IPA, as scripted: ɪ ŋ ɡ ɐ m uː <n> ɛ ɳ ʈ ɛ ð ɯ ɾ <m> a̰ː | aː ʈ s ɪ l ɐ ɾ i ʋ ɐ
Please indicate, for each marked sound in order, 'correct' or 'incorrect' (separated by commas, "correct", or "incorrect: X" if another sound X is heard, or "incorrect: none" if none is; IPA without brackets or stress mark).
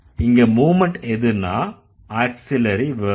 incorrect: m, incorrect: n